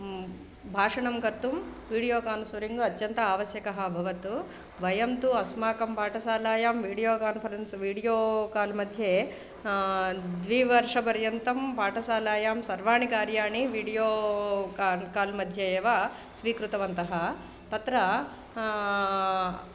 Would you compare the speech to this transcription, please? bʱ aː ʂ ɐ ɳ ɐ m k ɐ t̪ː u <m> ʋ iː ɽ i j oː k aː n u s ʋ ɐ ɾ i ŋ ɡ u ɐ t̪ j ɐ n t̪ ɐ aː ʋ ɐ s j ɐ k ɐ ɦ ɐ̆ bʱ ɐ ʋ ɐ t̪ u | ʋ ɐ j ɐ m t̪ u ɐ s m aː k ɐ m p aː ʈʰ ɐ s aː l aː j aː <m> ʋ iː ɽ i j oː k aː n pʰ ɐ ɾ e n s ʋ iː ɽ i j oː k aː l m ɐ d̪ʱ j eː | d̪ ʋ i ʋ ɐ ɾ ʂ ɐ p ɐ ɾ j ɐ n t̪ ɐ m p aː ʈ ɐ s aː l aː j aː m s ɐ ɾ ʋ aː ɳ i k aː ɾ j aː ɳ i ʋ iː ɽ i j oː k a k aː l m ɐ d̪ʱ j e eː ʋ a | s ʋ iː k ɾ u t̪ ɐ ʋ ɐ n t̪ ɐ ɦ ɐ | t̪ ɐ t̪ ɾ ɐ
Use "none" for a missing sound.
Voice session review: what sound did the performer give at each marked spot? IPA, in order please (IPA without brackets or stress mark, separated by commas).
m, m